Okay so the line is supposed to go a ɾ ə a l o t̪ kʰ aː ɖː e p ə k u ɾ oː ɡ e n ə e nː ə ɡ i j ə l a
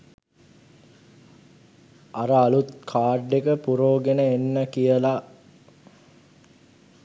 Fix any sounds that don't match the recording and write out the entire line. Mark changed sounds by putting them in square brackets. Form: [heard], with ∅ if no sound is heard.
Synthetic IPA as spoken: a ɾ ə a l [u] t̪ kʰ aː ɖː e [k] ə [p] u ɾ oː ɡ e n ə e nː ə [k] i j ə l a